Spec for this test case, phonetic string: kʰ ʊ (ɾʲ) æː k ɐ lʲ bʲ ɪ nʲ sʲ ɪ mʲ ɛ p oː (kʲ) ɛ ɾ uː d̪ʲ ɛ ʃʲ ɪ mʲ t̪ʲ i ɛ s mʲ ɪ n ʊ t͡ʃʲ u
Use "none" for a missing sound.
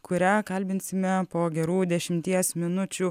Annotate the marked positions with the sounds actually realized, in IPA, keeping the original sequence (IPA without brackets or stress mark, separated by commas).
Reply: ɾʲ, ɡʲ